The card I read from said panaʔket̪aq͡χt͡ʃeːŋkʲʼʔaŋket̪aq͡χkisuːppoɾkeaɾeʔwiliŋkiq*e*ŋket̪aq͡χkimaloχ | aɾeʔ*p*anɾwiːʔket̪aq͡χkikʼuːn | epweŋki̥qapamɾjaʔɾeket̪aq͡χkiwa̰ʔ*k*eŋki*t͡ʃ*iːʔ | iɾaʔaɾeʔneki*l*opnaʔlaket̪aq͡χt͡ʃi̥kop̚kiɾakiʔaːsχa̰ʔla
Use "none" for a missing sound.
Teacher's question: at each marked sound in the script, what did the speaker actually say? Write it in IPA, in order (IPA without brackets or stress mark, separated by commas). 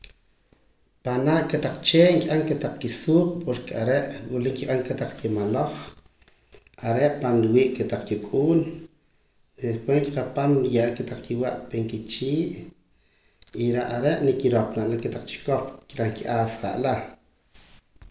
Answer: a, p, p, t͡ʃ, ɾ